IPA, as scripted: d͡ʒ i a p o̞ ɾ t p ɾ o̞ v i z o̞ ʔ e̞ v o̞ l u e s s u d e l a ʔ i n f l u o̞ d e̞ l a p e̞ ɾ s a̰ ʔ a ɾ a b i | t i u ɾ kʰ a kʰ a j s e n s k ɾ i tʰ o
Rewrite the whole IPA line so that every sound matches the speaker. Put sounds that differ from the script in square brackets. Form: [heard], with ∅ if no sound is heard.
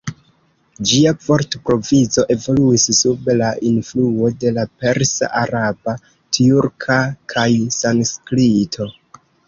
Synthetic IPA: d͡ʒ i a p o̞ ɾ t p ɾ o̞ v i z o̞ ʔ e̞ v o̞ l u [i] s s u [b] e l a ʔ i n f l u o̞ d e̞ l a p e̞ ɾ s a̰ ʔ a ɾ a b [a] | t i u ɾ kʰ a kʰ a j s [a] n s k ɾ i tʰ o

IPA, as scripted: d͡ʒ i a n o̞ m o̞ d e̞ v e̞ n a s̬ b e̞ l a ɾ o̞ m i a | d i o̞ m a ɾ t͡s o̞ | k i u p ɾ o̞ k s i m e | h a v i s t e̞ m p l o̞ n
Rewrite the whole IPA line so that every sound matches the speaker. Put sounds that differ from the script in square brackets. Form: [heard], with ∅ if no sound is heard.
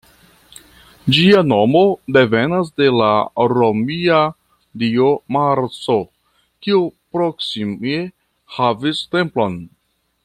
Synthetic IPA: d͡ʒ i a n o̞ m o̞ d e̞ v e̞ n a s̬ [d] e̞ l a ɾ o̞ m i a | d i o̞ m a ɾ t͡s o̞ | k i u p ɾ o̞ k s i m e | h a v i s t e̞ m p l o̞ n

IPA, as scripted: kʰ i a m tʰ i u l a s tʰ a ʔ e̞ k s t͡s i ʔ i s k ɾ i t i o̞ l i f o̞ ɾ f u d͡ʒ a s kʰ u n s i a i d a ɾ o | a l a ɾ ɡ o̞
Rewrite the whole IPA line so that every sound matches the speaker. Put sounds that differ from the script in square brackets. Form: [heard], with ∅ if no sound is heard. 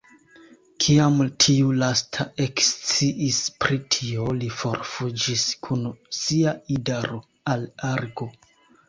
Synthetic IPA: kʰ i a m tʰ i u l a s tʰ a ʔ e̞ k s t͡s i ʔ i s [p] ɾ i [tʰ] i o̞ l i f o̞ ɾ f u d͡ʒ [i] s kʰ u n s i a i d a ɾ o | a l a ɾ ɡ o̞

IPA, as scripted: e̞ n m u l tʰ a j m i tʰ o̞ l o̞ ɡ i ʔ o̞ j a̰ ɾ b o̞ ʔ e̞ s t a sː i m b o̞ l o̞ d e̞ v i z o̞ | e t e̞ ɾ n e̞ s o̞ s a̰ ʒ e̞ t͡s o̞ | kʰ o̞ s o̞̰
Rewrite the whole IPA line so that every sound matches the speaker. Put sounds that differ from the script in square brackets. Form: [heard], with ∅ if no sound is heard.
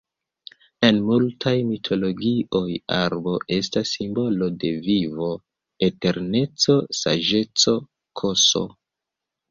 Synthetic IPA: e̞ n m u l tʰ a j m i tʰ o̞ l o̞ ɡ i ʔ o̞ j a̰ ɾ b o̞ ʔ e̞ s t a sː i m b o̞ l o̞ d e̞ v i [v] o̞ | e t e̞ ɾ n e̞ [t͡s] o̞ s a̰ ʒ e̞ t͡s o̞ | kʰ o̞ s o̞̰

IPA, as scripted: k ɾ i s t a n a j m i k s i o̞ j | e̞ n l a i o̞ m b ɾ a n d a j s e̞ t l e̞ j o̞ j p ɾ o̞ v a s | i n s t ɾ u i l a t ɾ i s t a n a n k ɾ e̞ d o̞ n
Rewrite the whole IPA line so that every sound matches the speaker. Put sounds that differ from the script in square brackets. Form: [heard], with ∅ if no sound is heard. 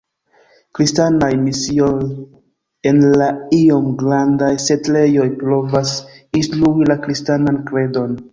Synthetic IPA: k ɾ i s t a n a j m i [∅] s i o̞ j | e̞ n l a i o̞ m [ɡ] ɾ a n d a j s e̞ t l e̞ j o̞ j p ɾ o̞ v a s | i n s t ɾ u i l a [k] ɾ i s t a n a n k ɾ e̞ d o̞ n

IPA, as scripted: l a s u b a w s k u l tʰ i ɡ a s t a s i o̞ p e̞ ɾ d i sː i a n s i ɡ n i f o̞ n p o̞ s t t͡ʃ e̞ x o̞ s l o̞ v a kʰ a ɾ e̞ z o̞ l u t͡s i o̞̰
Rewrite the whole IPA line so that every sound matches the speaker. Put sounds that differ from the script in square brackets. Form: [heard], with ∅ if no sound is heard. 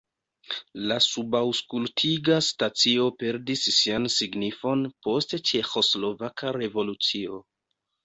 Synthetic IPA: l a s u b a w s k u l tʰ i ɡ a s t a [t͡s] i o̞ p e̞ ɾ d i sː i a n s i ɡ n i f o̞ n p o̞ s t t͡ʃ e̞ x o̞ s l o̞ v a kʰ a ɾ e̞ [v] o̞ l u t͡s i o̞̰

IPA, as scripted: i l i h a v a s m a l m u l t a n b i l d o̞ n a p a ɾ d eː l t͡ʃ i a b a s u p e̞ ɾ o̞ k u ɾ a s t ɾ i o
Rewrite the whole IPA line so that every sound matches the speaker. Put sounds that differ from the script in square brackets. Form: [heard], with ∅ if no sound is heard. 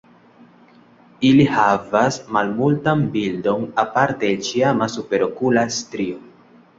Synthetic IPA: i l i h a v a s m a l m u l t a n b i l d o̞ n a p a ɾ [t] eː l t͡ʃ i a [m] a s u p e̞ ɾ o̞ k u [l] a s t ɾ i o

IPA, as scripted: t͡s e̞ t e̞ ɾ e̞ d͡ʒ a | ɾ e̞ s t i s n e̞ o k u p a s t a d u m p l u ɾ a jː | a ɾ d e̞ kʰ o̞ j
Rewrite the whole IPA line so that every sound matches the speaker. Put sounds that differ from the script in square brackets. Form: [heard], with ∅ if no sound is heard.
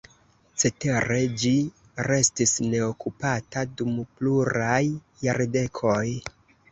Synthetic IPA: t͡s e̞ t e̞ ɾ e̞ d͡ʒ [i] | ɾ e̞ s t i s n e̞ o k u p a [∅] t a d u m p l u ɾ a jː | a ɾ d e̞ kʰ o̞ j

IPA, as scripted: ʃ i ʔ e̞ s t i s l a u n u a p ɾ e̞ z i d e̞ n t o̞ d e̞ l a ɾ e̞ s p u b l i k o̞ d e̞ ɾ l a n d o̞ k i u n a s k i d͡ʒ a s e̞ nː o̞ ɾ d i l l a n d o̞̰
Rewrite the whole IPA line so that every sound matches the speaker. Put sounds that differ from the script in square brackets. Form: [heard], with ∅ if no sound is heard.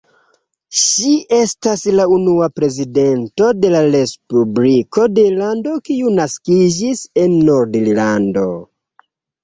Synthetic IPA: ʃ i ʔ e̞ s t [a] s l a u n u a p ɾ e̞ z i d e̞ n t o̞ d e̞ l a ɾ e̞ s p u b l i k o̞ d e̞ [∅] l a n d o̞ k i u n a s k i d͡ʒ [i] s e̞ nː o̞ ɾ d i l l a n d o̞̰

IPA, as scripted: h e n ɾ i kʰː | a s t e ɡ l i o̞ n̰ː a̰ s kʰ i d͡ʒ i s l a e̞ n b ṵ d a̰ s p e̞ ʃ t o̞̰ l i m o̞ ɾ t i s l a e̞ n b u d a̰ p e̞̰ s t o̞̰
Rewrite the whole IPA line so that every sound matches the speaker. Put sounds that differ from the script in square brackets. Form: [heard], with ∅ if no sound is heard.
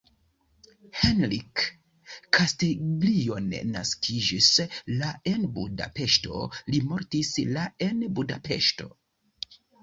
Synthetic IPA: h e n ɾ i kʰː | a s t e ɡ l i o̞ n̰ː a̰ s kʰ i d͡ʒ i s l a e̞ n b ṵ d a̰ [∅] p e̞ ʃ t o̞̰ l i m o̞ ɾ t i s l a e̞ n b u d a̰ p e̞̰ [ʃ] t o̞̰

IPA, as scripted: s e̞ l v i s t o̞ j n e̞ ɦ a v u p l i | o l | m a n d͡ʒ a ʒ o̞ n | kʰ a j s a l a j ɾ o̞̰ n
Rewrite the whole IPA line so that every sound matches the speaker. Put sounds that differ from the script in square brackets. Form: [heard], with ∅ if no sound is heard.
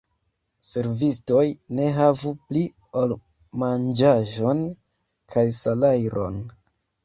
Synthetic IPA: s e̞ [ɾ] v i s t o̞ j n e̞ ɦ a v u p l i | o l | m a n d͡ʒ a ʒ o̞ n | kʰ a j s a l a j ɾ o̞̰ n

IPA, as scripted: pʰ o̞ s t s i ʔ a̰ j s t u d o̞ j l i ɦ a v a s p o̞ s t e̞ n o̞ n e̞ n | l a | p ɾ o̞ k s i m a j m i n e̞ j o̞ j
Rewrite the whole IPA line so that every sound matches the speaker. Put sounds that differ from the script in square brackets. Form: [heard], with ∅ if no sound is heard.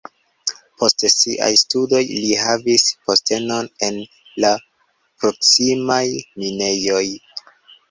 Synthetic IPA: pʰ o̞ s t s i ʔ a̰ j s t u d o̞ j l i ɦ a v [i] s p o̞ s t e̞ n o̞ n e̞ n | l a | p ɾ o̞ k s i m a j m i n e̞ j o̞ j

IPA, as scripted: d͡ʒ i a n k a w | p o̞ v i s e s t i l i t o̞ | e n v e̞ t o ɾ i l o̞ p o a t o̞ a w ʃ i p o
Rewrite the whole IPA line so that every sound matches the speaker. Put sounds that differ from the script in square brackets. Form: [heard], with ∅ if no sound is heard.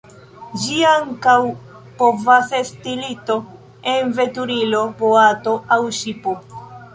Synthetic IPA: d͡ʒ i a [ŋ] k a w | p o̞ v [a] s e s t i l i t o̞ | e n v e̞ t [u] ɾ i l o̞ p o a t o̞ a w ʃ i p o

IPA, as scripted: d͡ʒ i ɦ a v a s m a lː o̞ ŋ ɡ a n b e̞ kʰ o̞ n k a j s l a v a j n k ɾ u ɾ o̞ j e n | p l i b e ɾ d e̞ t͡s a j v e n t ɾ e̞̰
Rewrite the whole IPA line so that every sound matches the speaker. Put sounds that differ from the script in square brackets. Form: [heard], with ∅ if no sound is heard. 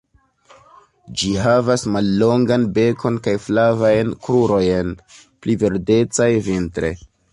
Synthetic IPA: d͡ʒ i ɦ a v a s m a lː o̞ ŋ ɡ a n b e̞ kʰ o̞ n k a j [f] l a v a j n k ɾ u ɾ o̞ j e n | p l i [v] e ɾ d e̞ t͡s a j v [i] n t ɾ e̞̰

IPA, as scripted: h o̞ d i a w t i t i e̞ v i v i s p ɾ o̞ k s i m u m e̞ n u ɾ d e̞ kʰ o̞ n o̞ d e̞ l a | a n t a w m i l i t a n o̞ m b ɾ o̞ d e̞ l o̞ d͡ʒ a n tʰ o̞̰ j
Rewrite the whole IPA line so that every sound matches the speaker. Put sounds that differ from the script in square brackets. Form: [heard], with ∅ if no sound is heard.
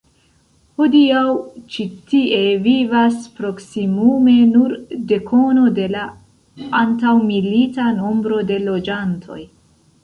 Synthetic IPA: h o̞ d i a w [t͡ʃ] i t i e̞ v i v [a] s p ɾ o̞ k s i m u m e̞ n u ɾ d e̞ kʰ o̞ n o̞ d e̞ l a | a n t a w m i l i t a n o̞ m b ɾ o̞ d e̞ l o̞ d͡ʒ a n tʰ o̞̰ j

